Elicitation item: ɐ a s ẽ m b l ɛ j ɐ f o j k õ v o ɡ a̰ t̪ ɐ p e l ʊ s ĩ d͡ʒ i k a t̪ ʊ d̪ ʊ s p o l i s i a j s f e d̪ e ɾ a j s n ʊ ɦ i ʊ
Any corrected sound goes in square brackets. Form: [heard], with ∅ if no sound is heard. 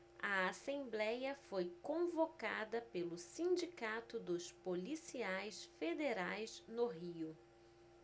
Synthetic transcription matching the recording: ɐ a s ẽ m b l ɛ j ɐ f o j k õ v o [k] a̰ [d̪] ɐ p e l ʊ s ĩ d͡ʒ i k a t̪ ʊ d̪ ʊ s p o l i s i a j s f e d̪ e ɾ a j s n ʊ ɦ i ʊ